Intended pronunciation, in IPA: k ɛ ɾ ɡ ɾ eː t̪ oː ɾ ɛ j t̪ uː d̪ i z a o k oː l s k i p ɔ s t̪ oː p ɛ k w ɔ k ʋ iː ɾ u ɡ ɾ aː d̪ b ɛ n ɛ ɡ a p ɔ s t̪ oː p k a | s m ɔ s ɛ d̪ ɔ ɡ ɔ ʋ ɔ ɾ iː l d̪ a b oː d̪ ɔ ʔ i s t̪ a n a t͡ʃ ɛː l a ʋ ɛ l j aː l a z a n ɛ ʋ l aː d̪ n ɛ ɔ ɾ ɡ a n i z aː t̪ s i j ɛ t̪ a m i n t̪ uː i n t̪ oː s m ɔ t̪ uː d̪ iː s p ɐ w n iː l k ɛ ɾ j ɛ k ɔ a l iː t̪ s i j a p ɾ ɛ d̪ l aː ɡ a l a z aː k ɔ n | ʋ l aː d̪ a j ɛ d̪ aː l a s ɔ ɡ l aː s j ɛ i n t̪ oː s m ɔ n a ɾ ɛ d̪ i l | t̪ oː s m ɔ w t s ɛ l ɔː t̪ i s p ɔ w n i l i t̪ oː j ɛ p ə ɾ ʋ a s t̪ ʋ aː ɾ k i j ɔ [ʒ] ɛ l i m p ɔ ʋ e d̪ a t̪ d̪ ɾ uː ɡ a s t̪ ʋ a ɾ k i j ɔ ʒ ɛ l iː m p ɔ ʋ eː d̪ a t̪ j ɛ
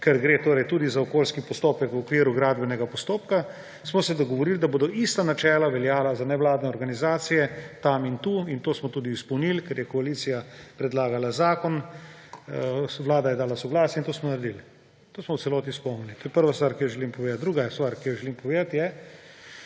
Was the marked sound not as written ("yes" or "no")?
no